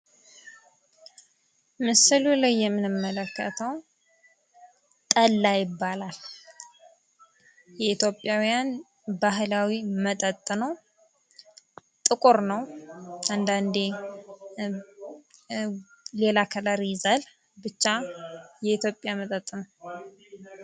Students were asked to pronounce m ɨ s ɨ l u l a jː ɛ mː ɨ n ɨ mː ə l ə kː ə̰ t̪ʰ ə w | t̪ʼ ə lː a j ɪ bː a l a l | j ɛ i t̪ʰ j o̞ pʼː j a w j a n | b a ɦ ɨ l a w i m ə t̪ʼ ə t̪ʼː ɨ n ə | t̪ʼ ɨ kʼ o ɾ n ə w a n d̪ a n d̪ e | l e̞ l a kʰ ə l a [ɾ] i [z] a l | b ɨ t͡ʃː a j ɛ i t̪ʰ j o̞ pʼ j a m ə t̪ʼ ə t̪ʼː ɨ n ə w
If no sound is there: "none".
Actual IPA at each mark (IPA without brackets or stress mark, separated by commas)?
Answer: ɾ, z